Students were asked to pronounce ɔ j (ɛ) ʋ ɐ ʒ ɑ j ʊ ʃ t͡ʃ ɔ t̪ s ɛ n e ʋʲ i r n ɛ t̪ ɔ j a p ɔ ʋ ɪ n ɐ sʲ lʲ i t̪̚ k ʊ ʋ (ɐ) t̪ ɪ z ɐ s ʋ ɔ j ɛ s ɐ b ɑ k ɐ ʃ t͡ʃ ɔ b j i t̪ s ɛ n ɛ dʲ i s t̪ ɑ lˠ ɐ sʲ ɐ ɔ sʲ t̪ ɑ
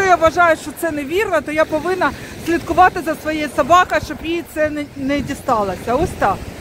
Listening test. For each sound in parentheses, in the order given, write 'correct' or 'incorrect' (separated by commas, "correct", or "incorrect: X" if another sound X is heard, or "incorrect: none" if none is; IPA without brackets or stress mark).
incorrect: a, incorrect: ɑ